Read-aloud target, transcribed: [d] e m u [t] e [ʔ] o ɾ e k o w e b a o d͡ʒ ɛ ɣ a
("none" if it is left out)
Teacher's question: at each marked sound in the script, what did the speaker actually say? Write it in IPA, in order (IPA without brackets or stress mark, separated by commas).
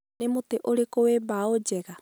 n, t, ʔ